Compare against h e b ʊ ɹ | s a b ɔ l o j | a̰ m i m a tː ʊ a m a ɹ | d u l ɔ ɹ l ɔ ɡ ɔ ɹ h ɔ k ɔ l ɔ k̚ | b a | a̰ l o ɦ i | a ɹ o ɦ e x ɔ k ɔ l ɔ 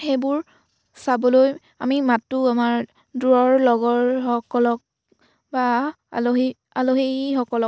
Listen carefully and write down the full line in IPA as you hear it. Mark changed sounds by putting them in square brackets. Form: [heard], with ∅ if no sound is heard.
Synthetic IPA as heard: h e b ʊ ɹ | s a b ɔ l o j | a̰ m i m a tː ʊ a m a ɹ | d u [ɹ] ɔ ɹ l ɔ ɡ ɔ ɹ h ɔ k ɔ l ɔ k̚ | b a | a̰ l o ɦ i | a [l] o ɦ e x ɔ k ɔ l ɔ